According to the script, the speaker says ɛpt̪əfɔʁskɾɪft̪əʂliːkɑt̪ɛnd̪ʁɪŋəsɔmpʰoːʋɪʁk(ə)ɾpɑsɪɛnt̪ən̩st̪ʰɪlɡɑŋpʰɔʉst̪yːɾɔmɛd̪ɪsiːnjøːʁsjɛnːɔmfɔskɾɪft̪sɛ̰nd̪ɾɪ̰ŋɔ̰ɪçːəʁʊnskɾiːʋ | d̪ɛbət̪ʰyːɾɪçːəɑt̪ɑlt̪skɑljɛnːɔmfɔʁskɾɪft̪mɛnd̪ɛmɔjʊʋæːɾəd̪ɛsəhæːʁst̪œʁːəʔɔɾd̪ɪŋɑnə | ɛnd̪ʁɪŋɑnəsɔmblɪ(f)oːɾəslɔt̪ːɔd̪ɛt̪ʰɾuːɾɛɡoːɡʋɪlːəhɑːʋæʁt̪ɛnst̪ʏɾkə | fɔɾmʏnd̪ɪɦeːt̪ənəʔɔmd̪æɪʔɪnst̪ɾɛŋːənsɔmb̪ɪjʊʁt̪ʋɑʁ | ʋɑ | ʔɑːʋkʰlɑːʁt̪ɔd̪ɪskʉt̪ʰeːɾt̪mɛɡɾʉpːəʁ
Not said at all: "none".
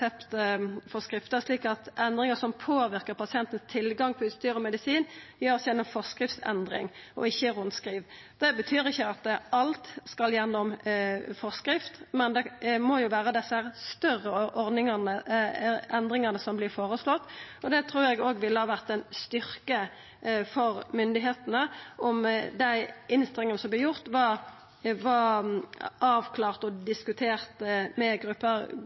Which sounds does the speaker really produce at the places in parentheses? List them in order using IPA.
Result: ə, f

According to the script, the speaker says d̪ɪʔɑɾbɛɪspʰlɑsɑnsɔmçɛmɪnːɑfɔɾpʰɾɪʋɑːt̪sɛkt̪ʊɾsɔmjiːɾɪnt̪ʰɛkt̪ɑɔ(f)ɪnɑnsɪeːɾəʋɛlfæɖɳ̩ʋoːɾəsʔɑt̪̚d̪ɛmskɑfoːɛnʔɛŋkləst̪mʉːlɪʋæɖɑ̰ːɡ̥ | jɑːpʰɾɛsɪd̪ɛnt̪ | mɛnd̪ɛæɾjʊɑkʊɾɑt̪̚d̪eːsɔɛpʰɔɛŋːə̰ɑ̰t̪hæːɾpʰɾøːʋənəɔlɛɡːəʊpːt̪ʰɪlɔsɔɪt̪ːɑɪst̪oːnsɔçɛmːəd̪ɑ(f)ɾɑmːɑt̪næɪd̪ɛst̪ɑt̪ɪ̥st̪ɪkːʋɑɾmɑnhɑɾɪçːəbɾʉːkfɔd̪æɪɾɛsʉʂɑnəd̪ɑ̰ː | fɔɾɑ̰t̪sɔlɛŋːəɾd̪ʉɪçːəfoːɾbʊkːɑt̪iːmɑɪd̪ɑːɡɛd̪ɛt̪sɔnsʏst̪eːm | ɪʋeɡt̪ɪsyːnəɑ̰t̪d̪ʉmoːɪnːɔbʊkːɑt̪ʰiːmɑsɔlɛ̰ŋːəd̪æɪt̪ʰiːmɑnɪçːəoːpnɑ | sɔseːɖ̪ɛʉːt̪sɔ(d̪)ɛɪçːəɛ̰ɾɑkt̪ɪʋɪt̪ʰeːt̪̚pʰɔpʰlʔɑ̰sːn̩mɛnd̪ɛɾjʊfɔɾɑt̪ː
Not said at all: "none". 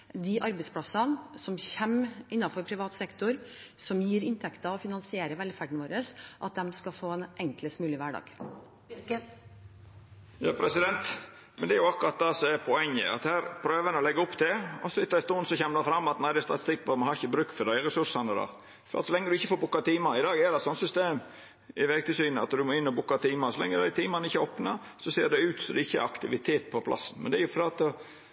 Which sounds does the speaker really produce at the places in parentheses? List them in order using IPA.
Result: f, f, d̪

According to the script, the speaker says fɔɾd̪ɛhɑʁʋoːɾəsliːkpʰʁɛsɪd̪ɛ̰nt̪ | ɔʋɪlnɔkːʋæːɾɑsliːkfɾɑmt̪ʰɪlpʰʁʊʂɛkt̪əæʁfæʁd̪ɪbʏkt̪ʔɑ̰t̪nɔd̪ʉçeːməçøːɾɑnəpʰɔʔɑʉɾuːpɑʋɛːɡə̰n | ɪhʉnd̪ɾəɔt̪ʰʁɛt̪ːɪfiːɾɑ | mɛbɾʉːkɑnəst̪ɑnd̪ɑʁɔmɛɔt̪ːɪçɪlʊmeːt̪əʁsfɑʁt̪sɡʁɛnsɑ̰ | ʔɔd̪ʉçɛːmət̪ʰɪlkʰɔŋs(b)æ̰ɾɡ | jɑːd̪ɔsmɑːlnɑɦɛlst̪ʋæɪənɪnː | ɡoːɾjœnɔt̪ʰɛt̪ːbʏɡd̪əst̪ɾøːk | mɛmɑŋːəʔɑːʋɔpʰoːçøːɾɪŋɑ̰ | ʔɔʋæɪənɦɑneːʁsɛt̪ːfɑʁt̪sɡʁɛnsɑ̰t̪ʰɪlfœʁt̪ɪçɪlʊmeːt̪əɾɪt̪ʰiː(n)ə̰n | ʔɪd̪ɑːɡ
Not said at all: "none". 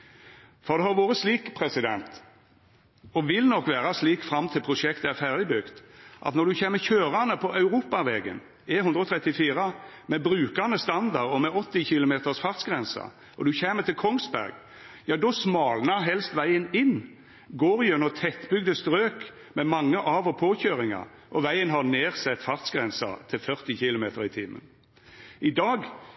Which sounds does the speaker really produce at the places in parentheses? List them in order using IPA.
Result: b, m

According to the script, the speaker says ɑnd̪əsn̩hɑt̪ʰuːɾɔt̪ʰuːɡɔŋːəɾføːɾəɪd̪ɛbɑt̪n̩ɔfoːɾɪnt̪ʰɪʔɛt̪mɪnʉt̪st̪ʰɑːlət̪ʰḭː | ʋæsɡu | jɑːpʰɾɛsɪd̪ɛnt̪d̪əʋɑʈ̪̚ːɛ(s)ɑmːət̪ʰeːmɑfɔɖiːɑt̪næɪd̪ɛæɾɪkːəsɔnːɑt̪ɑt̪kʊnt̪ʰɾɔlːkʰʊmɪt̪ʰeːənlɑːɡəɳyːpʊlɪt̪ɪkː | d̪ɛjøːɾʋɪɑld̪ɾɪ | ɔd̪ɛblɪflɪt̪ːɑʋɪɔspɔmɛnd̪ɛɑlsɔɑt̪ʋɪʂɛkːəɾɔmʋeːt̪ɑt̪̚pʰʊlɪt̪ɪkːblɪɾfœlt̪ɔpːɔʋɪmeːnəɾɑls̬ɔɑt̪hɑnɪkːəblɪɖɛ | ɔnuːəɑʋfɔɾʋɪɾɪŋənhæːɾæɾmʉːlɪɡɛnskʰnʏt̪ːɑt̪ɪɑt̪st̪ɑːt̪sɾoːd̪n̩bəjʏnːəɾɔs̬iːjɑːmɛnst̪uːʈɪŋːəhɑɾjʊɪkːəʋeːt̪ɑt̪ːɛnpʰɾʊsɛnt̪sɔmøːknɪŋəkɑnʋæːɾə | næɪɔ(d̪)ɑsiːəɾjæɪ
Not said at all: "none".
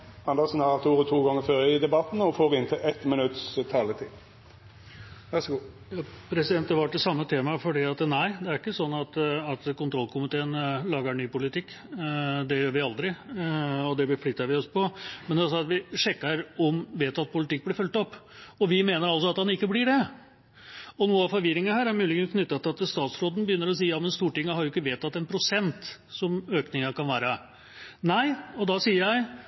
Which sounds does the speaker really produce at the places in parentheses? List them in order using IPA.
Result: s, d̪

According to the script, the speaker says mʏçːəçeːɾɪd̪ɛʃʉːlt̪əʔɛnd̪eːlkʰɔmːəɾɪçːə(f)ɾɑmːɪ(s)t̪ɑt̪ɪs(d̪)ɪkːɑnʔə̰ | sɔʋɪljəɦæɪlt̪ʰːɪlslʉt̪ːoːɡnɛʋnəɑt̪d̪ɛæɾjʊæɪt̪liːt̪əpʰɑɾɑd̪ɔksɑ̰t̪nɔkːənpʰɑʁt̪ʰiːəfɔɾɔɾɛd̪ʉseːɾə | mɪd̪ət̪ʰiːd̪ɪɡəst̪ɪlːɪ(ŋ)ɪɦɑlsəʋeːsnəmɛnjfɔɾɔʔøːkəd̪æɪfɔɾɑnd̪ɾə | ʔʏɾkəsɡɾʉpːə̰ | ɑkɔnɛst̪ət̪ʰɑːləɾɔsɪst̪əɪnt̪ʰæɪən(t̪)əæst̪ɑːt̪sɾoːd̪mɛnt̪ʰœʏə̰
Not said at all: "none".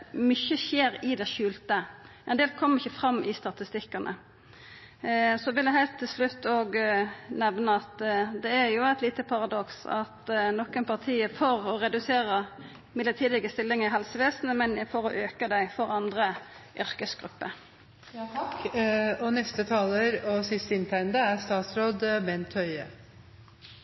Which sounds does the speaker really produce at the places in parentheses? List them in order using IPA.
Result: f, s, t̪, ŋ, d̪

